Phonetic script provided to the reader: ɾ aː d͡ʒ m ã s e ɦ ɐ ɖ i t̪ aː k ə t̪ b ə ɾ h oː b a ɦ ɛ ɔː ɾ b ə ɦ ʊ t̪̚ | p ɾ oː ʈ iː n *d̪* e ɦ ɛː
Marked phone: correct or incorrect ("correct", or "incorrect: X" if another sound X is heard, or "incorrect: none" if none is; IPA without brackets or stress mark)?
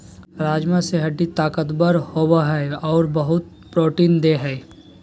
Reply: correct